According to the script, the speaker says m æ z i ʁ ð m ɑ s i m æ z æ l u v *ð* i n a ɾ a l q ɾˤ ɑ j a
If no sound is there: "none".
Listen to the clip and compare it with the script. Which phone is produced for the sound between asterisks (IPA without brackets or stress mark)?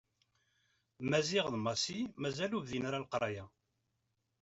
ð